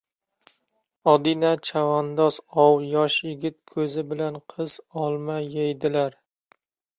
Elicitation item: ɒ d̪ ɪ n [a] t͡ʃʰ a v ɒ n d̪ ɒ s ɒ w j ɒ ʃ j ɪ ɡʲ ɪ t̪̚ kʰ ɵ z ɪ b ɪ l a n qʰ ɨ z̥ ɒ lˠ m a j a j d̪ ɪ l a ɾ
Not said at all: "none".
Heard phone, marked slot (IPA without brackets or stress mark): a